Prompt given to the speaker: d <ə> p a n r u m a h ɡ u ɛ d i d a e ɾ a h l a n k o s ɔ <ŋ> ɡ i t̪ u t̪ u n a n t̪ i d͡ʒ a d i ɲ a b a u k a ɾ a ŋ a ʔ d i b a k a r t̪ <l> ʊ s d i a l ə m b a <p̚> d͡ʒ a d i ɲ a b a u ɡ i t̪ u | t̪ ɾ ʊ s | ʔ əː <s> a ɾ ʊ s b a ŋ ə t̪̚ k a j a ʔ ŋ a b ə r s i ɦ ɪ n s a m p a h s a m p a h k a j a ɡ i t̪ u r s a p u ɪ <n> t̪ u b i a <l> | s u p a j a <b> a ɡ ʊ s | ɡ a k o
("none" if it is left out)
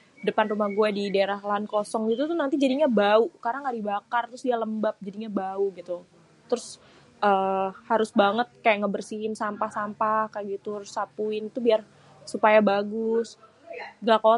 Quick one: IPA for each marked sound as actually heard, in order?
ə, ŋ, ɾ, p̚, h, n, r, b

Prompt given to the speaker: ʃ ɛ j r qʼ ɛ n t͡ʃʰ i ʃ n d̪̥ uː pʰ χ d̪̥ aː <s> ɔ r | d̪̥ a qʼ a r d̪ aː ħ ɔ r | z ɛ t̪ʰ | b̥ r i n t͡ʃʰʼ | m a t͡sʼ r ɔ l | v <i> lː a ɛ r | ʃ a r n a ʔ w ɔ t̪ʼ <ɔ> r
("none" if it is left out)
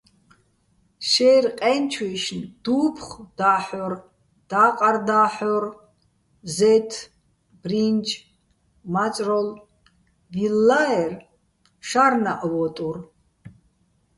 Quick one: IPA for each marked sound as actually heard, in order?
ħ, i, u

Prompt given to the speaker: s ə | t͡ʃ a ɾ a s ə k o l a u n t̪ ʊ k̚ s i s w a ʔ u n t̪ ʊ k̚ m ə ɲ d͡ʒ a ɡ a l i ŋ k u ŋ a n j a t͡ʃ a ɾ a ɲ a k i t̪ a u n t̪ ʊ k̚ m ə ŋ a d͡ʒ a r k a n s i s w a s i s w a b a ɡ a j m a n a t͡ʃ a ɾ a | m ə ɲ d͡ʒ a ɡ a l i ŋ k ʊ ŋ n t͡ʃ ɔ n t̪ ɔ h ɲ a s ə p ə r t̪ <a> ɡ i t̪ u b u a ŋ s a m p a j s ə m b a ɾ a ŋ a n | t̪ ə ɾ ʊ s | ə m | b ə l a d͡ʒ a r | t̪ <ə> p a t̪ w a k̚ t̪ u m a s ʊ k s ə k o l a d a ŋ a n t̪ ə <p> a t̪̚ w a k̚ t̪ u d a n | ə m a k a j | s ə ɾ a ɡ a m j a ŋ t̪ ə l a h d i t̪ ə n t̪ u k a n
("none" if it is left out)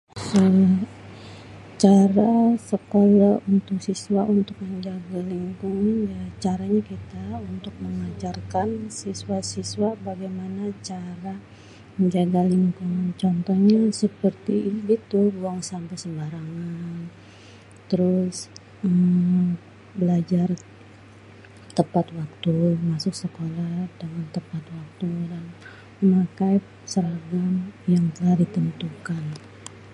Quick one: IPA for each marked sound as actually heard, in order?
i, ə, p

